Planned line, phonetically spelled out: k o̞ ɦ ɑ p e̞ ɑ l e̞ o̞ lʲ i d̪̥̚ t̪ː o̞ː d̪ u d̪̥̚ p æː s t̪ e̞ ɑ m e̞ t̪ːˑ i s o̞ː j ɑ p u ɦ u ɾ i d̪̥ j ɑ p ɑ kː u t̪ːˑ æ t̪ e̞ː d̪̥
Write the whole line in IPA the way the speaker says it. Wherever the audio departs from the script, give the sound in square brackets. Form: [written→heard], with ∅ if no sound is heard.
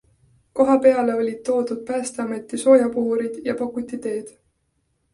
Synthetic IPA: k o̞ ɦ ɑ p e̞ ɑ l e̞ o̞ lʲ i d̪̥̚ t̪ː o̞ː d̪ u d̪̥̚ p æː s t̪ e̞ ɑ m e̞ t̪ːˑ i s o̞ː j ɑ p u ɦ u ɾ i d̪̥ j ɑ p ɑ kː u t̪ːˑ [æ→i] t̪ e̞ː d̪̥